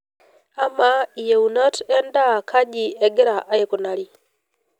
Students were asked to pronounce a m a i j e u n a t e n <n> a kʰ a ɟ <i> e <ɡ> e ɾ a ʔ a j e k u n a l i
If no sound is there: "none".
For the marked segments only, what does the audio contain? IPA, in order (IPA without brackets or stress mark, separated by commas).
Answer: d, i, ɡ